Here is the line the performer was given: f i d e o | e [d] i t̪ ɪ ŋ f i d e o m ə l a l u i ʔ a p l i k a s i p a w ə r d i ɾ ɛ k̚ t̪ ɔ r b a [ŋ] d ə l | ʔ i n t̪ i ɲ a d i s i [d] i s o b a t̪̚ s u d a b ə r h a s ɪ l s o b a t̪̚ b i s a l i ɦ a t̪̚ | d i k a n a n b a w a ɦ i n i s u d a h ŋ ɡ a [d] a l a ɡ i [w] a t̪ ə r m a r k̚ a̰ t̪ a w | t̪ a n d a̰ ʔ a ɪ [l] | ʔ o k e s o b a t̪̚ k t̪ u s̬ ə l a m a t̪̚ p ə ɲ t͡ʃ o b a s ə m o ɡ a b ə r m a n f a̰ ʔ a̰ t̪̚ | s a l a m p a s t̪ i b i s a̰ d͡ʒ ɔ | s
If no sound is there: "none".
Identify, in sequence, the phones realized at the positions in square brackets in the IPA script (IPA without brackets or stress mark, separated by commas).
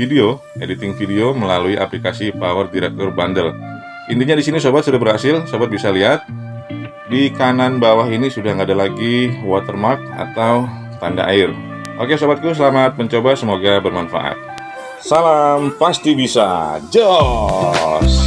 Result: d, n, n, d, w, r